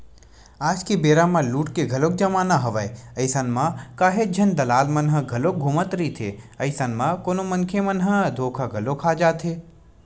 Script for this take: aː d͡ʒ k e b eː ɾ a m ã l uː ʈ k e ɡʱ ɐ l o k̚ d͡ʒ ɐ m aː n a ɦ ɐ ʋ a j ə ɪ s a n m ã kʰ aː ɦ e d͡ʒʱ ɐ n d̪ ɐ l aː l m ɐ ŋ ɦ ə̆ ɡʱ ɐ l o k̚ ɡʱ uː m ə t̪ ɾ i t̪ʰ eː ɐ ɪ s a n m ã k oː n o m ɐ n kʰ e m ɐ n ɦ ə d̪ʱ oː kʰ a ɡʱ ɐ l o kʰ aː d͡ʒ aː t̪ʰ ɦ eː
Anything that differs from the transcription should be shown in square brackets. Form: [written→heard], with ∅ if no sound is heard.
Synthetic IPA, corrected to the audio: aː d͡ʒ k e b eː ɾ a m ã l uː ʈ k e ɡʱ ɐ l o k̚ d͡ʒ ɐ m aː n a ɦ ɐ ʋ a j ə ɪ s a n m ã [kʰ→k] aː ɦ e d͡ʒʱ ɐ n d̪ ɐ l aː l m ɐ [ŋ→n] ɦ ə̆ ɡʱ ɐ l o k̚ ɡʱ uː m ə t̪ ɾ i t̪ʰ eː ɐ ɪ s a n m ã k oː n o m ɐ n kʰ e m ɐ n ɦ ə d̪ʱ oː kʰ a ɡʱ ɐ l o kʰ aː d͡ʒ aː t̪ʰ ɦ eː